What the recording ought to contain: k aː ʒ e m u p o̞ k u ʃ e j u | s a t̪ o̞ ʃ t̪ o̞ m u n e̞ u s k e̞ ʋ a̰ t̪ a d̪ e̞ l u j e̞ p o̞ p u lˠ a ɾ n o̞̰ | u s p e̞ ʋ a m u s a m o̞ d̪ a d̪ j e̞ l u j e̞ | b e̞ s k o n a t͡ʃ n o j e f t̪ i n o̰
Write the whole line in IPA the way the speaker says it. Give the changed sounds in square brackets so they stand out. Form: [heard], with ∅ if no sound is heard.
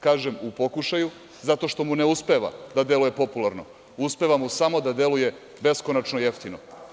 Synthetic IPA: k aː ʒ e m u p o̞ k u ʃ [a] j u | [z] a t̪ o̞ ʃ t̪ o̞ m u n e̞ u s [p] e̞ ʋ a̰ [d̪] a d̪ e̞ l u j e̞ p o̞ p u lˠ a ɾ n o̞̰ | u s p e̞ ʋ a m u s a m o̞ d̪ a d̪ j e̞ l u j e̞ | b e̞ s k o n a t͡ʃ n o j e f t̪ i n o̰